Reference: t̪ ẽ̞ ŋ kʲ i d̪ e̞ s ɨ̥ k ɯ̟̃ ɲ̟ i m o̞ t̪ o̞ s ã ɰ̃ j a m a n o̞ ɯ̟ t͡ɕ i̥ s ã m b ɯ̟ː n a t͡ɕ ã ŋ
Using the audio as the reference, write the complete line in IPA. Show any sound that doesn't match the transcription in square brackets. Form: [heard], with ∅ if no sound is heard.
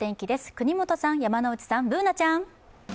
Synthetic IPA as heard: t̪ ẽ̞ ŋ kʲ i d̪ e̞ s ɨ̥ k [ɯ̟] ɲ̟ i m o̞ t̪ o̞ s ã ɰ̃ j a m a n o̞ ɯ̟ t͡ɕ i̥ s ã m b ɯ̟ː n a t͡ɕ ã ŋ